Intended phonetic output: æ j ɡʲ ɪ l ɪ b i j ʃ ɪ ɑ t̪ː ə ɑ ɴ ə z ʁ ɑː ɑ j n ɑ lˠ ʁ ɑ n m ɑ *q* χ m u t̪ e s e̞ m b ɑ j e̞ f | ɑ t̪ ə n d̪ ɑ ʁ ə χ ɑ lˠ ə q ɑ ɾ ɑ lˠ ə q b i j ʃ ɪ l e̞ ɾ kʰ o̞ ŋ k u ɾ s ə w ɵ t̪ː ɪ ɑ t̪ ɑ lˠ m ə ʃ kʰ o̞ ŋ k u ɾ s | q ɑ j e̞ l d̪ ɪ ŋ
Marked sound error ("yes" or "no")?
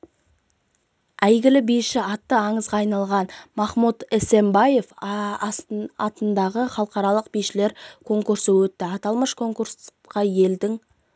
yes